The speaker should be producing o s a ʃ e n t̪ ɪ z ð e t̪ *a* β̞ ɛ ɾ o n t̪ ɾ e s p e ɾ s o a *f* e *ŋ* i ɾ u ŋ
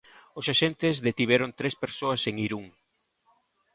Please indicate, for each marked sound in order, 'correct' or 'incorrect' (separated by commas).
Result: incorrect, incorrect, correct